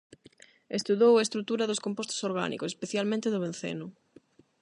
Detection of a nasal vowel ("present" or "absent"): present